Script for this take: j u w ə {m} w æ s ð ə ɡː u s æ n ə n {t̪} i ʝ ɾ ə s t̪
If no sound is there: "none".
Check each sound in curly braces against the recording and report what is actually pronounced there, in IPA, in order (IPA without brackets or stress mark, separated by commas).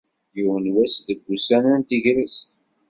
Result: n, t̪